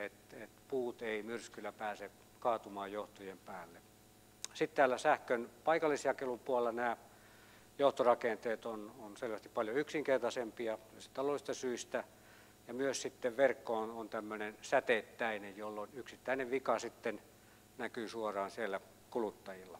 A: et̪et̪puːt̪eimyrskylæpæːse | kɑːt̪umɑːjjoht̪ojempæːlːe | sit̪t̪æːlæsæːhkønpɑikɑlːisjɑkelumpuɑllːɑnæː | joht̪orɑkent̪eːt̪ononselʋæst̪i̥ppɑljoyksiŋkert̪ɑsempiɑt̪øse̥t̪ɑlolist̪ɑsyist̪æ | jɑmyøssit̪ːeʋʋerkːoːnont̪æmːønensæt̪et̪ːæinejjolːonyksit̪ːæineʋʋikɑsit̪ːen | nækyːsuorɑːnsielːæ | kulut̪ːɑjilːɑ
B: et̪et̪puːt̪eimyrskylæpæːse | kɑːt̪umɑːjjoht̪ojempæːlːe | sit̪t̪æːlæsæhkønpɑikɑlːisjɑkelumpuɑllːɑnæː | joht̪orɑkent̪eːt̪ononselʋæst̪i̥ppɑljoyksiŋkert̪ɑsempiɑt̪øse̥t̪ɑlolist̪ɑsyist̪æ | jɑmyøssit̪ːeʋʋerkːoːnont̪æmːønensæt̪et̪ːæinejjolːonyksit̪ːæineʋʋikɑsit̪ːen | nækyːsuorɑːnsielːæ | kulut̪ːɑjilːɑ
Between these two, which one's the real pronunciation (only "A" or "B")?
B